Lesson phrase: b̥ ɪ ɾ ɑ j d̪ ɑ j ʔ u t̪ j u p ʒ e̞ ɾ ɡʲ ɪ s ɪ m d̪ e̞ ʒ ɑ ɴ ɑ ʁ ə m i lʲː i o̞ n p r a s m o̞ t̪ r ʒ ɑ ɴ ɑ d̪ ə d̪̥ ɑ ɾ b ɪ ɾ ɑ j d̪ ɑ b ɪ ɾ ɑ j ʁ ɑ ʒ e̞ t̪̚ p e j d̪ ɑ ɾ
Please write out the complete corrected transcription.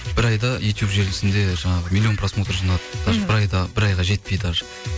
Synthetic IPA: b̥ ɪ ɾ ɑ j d̪ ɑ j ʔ u t̪ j u p ʒ e̞ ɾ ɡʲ ɪ s ɪ n d̪ e̞ ʒ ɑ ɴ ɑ ʁ ə m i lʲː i o̞ n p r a s m o̞ t̪ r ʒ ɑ n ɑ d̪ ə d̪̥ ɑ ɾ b ɪ ɾ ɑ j d̪ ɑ b ɪ ɾ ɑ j ʁ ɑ ʒ e̞ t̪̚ p e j d̪ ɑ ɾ